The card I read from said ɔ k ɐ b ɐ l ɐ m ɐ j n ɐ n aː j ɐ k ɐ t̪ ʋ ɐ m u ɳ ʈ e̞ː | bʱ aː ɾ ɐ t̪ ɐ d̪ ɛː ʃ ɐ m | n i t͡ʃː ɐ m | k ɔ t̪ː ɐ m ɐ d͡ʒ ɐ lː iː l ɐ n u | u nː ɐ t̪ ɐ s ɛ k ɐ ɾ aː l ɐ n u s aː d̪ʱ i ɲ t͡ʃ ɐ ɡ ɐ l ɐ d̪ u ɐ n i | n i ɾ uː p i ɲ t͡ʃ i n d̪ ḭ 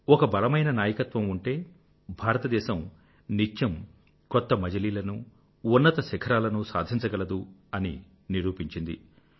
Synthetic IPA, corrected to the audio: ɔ k ɐ b ɐ l ɐ m ɐ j n ɐ n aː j ɐ k ɐ t̪ ʋ ɐ m u ɳ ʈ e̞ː | bʱ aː ɾ ɐ t̪ ɐ d̪ ɛː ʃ ɐ m | n i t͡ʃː ɐ m | k ɔ t̪ː ɐ m ɐ d͡ʒ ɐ l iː l ɐ n u | u nː ɐ t̪ ɐ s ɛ kʰ ɐ ɾ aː l ɐ n u s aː d̪ʱ i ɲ t͡ʃ ɐ ɡ ɐ l ɐ d̪ u ɐ n i | n i ɾ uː p i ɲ t͡ʃ i n d̪ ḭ